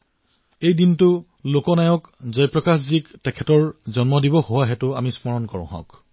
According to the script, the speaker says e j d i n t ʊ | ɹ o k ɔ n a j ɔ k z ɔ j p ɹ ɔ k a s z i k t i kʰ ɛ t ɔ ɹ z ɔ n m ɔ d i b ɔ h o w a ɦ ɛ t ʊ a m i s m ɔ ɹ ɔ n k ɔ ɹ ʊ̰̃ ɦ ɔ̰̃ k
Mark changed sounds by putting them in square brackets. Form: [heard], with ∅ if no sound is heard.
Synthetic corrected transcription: e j d i n t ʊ | [l] o k ɔ n a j ɔ k z ɔ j p ɹ ɔ k a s z i k t [ɛ] kʰ ɛ t ɔ ɹ z ɔ n m ɔ d i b ɔ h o w a ɦ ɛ t ʊ a m i s m ɔ ɹ ɔ n k ɔ ɹ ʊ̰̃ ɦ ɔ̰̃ k